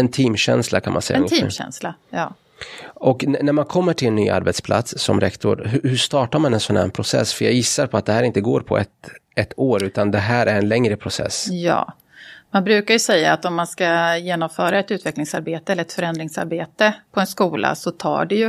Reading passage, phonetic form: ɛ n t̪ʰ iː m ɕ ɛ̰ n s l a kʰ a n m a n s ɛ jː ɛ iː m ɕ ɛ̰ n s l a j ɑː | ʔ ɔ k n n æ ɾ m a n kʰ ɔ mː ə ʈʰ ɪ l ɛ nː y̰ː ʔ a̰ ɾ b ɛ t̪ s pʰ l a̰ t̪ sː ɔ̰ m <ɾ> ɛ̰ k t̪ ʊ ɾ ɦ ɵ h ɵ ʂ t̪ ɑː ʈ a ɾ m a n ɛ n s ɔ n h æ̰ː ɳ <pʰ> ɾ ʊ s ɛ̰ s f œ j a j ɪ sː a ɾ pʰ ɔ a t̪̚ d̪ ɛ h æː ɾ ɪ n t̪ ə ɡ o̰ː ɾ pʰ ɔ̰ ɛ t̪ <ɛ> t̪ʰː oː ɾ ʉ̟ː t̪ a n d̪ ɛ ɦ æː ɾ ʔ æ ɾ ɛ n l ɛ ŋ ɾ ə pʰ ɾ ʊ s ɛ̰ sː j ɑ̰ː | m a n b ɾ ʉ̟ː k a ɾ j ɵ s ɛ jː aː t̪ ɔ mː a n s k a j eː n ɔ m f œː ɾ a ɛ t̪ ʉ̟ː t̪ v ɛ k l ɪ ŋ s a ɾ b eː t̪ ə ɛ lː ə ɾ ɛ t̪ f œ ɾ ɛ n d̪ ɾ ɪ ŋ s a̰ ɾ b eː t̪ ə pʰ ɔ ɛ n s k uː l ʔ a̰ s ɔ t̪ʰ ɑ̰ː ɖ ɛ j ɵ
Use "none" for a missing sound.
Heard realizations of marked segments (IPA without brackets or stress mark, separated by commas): ɾ, pʰ, ɛ